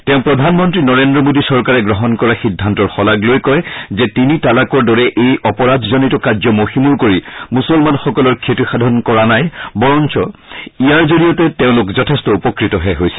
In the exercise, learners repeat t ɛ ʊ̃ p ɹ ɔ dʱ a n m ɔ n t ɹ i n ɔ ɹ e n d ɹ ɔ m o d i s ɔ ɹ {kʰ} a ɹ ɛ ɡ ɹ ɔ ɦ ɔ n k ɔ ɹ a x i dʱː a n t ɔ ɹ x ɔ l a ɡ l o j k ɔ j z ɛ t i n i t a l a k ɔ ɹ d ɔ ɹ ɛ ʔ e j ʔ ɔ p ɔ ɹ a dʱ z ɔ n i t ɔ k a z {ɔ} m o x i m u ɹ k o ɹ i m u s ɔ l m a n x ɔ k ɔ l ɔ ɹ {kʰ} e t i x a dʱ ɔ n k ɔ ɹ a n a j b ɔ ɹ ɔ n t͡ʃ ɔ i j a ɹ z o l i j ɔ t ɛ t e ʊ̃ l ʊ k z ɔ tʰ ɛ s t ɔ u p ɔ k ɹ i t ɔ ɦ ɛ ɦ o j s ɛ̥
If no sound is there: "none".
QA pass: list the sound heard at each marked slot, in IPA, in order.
k, ɔ, kʰ

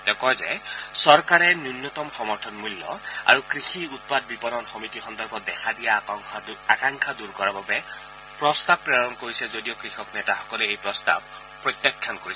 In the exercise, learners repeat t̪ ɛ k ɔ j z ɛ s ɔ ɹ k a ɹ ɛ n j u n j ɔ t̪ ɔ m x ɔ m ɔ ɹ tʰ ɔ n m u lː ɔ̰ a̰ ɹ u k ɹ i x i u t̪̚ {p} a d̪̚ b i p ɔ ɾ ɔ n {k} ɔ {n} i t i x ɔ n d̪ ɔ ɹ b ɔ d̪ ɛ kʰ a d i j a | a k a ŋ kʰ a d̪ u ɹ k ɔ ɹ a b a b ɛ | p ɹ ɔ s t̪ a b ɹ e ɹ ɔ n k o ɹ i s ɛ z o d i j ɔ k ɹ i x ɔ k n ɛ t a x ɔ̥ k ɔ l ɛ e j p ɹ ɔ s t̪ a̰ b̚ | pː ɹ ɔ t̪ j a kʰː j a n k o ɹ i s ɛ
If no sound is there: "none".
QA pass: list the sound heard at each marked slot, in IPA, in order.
p, x, m

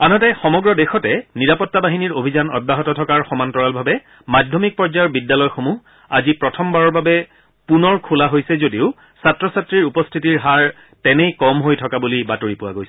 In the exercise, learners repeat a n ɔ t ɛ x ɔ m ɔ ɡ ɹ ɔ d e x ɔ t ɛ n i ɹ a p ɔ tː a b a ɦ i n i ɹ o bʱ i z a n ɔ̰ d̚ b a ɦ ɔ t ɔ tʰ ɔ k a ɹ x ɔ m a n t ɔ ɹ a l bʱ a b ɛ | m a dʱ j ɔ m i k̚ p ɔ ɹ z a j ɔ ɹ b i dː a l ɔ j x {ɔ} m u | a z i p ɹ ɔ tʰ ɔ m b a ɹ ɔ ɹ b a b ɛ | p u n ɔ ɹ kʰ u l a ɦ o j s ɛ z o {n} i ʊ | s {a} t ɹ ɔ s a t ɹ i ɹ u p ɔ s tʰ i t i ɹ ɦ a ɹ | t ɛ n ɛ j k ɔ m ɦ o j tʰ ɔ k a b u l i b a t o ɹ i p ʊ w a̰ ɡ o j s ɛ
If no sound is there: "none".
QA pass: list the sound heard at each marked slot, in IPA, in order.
o, d, a

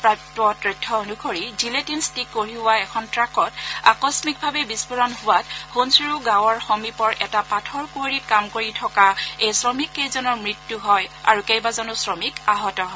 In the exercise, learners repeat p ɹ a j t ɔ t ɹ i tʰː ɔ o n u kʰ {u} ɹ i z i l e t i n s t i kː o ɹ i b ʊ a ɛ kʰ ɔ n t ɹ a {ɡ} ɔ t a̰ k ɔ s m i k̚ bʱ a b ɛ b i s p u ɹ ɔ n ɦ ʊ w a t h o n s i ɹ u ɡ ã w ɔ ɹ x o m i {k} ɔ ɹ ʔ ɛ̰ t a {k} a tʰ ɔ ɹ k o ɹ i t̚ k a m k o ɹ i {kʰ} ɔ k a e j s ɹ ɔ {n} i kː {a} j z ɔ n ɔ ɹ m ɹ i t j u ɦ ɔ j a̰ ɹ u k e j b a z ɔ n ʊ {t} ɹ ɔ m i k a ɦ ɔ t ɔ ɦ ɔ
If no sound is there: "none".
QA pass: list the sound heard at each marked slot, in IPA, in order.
o, k, p, p, tʰ, m, e, s

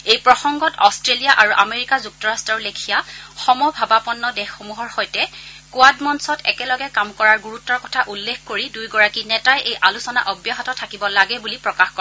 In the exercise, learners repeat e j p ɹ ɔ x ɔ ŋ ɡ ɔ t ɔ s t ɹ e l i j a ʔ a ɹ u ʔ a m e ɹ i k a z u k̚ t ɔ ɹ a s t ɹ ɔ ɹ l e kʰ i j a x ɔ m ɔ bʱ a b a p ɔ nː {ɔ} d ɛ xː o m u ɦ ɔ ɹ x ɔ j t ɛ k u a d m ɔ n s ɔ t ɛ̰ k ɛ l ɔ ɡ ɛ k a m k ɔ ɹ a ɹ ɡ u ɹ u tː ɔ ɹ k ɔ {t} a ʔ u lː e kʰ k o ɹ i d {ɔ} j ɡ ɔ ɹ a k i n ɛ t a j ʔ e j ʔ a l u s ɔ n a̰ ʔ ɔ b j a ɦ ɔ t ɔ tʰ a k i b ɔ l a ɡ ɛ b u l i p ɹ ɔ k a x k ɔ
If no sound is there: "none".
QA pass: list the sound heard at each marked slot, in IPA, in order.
ɔ, tʰ, u

